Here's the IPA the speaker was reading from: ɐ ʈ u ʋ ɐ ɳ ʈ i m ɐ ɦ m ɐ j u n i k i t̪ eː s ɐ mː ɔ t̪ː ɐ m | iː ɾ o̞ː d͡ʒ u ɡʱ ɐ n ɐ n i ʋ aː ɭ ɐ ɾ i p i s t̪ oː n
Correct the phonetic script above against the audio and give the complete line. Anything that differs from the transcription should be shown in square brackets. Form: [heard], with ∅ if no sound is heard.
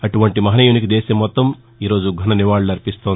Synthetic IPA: ɐ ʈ u ʋ ɐ ɳ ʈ i m ɐ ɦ [n] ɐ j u n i k i [d̪] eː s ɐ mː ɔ t̪ː ɐ m | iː ɾ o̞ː d͡ʒ u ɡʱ ɐ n ɐ n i ʋ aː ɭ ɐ ɾ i p i s t̪ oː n